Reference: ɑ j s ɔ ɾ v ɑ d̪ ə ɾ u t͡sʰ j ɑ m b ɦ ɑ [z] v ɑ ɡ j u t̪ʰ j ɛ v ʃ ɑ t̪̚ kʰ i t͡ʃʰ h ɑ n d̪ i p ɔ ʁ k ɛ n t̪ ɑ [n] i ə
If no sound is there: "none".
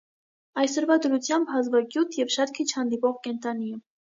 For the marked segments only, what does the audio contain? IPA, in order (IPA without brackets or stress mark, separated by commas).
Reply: z, n